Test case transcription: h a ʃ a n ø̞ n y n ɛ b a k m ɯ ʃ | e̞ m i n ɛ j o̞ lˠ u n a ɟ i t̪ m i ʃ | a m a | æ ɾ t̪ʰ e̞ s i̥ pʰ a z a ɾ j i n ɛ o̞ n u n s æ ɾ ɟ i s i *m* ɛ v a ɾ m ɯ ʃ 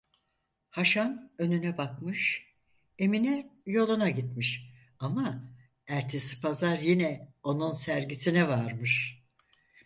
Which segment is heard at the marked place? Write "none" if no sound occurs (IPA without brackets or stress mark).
n